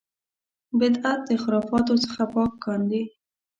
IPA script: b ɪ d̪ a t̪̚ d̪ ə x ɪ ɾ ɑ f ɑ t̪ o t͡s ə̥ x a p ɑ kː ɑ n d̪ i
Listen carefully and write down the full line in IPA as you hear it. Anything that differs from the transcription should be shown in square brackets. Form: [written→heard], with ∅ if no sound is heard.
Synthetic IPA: b ɪ d̪ a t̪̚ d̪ ə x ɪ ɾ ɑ f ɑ t̪ o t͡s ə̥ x a p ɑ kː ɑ n d̪ i